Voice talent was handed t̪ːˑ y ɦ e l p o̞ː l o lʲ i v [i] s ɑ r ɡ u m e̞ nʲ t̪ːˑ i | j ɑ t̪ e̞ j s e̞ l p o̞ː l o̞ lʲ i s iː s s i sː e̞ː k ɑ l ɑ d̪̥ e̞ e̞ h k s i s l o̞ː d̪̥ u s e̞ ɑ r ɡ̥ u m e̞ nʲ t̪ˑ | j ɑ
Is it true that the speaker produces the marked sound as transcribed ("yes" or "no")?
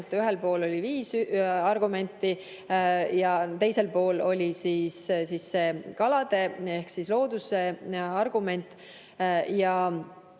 no